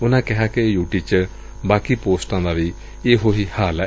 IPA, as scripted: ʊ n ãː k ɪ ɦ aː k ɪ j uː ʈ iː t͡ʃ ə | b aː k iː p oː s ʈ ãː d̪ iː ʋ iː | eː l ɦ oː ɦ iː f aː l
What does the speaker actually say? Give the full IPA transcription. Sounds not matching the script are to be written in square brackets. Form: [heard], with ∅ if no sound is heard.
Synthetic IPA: ʊ n ãː k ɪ ɦ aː k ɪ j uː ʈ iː t͡ʃ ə | b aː k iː p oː s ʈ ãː d̪ [aː] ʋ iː | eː [∅] ɦ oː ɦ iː [h] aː l